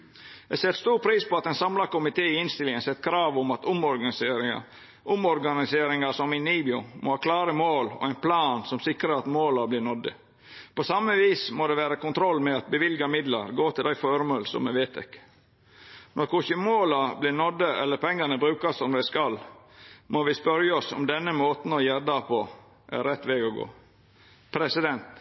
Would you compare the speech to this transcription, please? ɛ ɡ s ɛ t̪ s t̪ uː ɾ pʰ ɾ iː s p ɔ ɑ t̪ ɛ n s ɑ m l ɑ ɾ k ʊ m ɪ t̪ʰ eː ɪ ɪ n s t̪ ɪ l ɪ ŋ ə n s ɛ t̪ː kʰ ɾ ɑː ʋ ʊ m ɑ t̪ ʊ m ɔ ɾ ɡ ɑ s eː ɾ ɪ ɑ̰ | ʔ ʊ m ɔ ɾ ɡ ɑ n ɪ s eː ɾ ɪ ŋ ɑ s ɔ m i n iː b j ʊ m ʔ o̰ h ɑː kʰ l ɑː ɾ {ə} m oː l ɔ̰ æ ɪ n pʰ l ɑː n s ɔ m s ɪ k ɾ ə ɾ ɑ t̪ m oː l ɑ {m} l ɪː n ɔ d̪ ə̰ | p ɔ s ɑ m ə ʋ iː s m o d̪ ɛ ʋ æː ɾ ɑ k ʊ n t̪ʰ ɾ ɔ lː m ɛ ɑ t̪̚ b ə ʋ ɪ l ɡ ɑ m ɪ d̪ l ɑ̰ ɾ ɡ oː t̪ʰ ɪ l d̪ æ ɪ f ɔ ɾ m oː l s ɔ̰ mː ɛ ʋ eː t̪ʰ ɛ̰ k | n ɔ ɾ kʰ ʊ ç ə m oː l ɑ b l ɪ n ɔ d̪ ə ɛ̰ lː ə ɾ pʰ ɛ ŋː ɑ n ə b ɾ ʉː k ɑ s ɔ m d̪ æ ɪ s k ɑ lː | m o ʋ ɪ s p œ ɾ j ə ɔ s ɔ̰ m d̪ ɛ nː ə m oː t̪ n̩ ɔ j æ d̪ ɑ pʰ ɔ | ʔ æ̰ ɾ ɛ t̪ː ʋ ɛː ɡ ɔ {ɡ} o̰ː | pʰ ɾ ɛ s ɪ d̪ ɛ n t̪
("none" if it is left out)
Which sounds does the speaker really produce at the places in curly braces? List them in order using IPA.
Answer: ə, b, ɡ

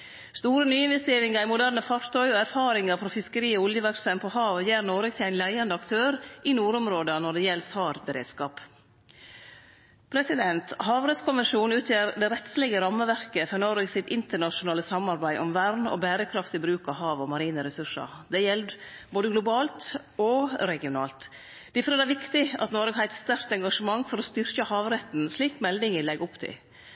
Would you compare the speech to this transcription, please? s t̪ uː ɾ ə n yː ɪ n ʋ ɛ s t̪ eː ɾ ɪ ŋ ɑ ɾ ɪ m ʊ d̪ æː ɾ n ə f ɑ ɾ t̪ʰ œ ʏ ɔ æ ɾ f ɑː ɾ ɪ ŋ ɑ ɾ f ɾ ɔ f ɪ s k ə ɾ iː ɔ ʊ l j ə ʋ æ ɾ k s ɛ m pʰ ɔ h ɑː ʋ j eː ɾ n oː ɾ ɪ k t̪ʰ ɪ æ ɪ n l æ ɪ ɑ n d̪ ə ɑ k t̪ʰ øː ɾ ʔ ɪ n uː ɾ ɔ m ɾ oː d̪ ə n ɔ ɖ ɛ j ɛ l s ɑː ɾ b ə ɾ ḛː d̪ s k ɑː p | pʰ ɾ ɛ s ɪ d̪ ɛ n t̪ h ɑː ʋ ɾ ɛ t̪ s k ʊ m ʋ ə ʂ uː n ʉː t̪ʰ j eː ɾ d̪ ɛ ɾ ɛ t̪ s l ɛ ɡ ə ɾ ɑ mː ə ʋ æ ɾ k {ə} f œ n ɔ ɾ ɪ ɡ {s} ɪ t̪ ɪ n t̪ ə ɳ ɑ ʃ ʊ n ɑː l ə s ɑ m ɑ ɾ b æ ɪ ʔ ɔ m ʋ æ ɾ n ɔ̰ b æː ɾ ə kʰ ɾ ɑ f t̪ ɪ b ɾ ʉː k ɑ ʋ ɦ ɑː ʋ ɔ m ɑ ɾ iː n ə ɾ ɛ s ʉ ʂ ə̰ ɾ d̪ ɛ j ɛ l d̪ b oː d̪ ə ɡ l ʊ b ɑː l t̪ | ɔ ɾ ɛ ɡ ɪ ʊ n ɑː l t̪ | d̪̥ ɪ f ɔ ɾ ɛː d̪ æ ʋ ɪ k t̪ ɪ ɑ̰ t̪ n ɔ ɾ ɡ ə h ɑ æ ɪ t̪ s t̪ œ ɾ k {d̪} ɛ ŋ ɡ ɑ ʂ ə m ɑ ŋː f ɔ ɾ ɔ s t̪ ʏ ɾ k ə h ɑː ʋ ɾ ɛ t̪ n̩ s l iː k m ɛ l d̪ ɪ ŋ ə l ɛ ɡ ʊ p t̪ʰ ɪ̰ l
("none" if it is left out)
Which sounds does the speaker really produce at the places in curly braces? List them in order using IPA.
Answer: ə, s, t̪

